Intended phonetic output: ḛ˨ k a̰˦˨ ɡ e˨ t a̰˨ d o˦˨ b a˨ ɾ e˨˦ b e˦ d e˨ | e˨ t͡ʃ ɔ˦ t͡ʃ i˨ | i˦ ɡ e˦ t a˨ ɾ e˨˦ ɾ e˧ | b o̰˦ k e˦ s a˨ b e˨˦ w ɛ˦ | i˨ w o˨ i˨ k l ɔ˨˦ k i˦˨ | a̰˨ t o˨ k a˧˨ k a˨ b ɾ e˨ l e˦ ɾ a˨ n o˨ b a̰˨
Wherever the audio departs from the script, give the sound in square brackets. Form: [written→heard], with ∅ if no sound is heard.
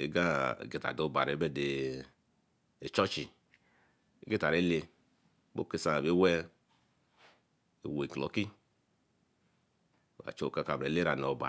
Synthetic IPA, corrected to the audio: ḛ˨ [k→ɡ] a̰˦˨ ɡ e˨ t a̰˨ d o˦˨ b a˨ ɾ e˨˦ b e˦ d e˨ | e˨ t͡ʃ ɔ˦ t͡ʃ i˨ | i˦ ɡ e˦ t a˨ ɾ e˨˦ [ɾ→l] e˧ | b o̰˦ k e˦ s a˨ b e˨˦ w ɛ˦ | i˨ w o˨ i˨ k l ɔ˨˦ k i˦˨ | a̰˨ [t→t͡ʃ] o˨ k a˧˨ k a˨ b ɾ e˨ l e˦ ɾ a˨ n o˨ b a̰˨